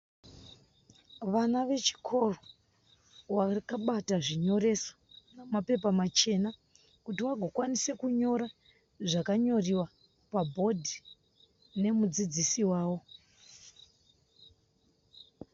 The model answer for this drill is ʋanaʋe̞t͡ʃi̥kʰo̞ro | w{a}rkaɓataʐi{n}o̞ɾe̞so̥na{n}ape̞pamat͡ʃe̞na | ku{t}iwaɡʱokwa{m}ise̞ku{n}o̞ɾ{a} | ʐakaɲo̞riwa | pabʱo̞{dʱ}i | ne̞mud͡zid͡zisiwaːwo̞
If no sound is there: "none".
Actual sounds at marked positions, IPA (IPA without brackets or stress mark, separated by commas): a, ɲ, m, t, n, ɲ, a, dʱ